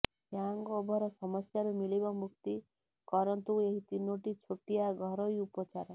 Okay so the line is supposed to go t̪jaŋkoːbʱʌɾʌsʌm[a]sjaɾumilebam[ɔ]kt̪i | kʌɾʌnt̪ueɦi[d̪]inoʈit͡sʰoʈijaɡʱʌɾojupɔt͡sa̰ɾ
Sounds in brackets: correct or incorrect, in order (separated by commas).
incorrect, incorrect, incorrect